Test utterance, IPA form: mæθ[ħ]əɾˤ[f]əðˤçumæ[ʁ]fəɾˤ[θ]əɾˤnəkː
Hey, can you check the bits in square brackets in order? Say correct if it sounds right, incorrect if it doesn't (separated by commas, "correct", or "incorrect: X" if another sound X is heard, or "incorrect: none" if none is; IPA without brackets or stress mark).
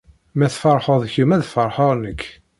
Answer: incorrect: f, incorrect: ħ, incorrect: ð, incorrect: ħ